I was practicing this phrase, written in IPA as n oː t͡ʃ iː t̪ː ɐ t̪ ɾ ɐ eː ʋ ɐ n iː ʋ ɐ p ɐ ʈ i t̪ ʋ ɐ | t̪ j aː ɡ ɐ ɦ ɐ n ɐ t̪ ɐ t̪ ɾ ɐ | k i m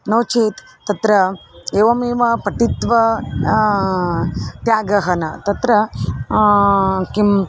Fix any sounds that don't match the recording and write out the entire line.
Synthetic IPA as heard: n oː t͡ʃ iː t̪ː ɐ t̪ ɾ ɐ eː ʋ ɐ m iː ʋ ɐ p ɐ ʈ i t̪ ʋ ɐ | t̪ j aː ɡ ɐ ɦ ɐ n ɐ t̪ ɐ t̪ ɾ ɐ | k i m